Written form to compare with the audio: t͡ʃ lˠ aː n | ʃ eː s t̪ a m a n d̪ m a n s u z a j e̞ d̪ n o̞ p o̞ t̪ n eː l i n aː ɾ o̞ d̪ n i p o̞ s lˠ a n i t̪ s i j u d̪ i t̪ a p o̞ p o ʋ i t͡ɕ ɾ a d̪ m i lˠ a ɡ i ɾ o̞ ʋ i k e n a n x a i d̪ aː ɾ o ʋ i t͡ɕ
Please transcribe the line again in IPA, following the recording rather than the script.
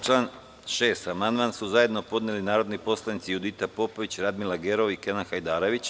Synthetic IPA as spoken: t͡ʃ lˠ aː n | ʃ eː s t̪ a m a n d̪ m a n s u z a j e̞ d̪ n o̞ p o̞ d̪ n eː l i n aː ɾ o̞ d̪ n i p o̞ s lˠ a n i t̪ s i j u d̪ i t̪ a p o̞ p o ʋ i t͡ɕ ɾ a d̪ m i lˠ a ɡ e ɾ o̞ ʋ i k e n a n x a j d̪ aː ɾ o ʋ i t͡ɕ

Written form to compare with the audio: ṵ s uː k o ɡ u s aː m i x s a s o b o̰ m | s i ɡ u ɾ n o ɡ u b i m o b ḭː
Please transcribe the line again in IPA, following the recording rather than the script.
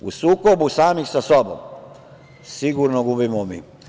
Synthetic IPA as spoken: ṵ s uː k o b u s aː m i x s a s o b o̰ m | s i ɡ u ɾ n o ɡ u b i m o m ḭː

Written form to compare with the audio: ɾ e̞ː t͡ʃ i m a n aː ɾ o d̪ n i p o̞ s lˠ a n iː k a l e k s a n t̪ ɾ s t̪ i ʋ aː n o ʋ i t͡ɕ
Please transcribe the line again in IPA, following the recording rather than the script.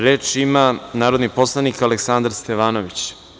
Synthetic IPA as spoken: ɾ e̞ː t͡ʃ i m a n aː ɾ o d̪ n i p o̞ s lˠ a n i k a l e k s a n d̪ ɾ s t̪ e ʋ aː n o ʋ i t͡ɕ

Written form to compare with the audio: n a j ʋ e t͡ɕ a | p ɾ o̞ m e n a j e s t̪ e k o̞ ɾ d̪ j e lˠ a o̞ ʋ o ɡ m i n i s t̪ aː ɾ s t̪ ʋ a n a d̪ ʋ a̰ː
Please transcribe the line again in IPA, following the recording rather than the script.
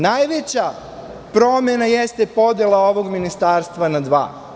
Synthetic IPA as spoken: n a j ʋ e t͡ɕ a | p ɾ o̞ m e n a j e s t̪ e p o̞ d̪ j e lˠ a o̞ ʋ o ɡ m i n i s t̪ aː ɾ s t̪ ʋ a n a d̪ ʋ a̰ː

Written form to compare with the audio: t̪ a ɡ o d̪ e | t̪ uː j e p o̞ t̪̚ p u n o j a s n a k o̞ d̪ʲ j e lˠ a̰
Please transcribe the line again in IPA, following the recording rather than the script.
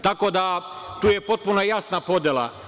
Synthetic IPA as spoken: t̪ a k o d̪ a | t̪ uː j e p o̞ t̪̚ p u n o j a s n a p o̞ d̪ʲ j e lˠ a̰

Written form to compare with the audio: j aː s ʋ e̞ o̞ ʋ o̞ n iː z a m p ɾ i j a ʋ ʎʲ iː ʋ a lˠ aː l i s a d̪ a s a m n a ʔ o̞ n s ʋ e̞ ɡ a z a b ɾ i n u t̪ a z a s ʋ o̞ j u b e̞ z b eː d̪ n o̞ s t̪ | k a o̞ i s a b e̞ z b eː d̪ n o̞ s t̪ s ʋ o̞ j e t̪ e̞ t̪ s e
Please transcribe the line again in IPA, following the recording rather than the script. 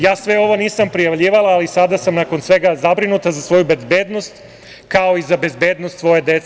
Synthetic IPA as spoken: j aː s ʋ e̞ o̞ ʋ o̞ n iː s a m p ɾ i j a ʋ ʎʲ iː ʋ a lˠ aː l i s a d̪ a s a m n a k o̞ n s ʋ e̞ ɡ a z a b ɾ i n u t̪ a z a s ʋ o̞ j u b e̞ z b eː d̪ n o̞ s t̪ | k a o̞ i z a b e̞ z b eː d̪ n o̞ s t̪ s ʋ o̞ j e d̪ e̞ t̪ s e

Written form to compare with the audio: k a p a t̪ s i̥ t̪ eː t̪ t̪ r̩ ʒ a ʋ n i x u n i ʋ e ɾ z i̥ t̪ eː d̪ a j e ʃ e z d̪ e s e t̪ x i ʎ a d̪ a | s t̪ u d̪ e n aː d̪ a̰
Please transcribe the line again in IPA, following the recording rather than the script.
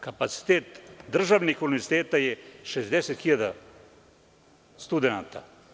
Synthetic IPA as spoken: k a p a t̪ s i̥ t̪ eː t̪ d̪ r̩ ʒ a ʋ n i x u n i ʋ e ɾ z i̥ t̪ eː t̪ a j e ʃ e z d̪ e s e t̪ x i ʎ a d̪ a | s t̪ u d̪ e n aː t̪ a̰

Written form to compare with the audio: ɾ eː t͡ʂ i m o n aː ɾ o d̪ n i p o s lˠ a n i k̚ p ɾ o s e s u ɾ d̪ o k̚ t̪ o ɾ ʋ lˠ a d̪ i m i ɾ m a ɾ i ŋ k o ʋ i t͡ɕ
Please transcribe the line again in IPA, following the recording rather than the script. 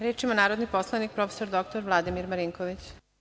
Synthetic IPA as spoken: ɾ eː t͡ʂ i m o n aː ɾ o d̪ n i p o s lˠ a n i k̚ p ɾ o f e s o ɾ d̪ o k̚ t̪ o ɾ ʋ lˠ a d̪ i m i ɾ m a ɾ i ŋ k o ʋ i t͡ɕ

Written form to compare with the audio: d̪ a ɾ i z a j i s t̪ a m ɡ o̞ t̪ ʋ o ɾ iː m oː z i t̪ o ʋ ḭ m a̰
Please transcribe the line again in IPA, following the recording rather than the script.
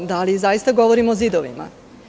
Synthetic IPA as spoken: d̪ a l i z a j i s t̪ a ɡ o̞ ʋ o ɾ i m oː z i d̪ o ʋ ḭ m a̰

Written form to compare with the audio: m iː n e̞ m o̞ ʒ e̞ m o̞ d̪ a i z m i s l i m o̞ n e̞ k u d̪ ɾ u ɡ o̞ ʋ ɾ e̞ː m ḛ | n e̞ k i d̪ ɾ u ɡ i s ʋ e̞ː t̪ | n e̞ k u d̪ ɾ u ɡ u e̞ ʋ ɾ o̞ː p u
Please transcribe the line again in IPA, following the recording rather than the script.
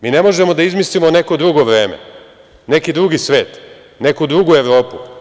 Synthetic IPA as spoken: m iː n e̞ m o̞ ʒ e̞ m o̞ d̪ a i z m i s l i m o̞ n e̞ k o d̪ ɾ u ɡ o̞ ʋ ɾ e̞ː m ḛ | n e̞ k i d̪ ɾ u ɡ i s ʋ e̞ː t̪ | n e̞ k u d̪ ɾ u ɡ u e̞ ʋ ɾ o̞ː p u

